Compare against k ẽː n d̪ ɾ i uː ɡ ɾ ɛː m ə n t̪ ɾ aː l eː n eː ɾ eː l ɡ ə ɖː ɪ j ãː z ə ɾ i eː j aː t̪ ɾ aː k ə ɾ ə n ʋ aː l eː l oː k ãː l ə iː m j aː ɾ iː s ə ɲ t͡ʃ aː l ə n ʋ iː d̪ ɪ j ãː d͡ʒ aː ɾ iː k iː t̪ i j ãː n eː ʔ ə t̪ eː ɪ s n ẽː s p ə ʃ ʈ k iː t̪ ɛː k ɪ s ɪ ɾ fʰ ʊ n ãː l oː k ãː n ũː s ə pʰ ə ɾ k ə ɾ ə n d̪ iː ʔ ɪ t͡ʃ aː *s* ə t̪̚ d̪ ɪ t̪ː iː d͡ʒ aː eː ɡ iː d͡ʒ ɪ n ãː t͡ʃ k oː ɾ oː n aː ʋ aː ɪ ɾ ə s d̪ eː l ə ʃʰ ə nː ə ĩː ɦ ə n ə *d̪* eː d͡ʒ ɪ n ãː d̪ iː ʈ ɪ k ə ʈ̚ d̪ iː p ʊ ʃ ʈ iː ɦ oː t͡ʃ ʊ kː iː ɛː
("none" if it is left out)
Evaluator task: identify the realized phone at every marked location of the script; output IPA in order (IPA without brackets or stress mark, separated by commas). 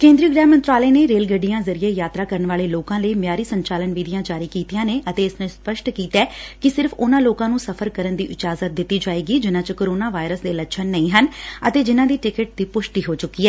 z, t̪